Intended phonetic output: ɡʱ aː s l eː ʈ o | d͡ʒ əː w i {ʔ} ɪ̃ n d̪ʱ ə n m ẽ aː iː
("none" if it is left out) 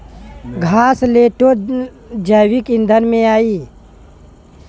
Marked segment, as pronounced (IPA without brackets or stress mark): k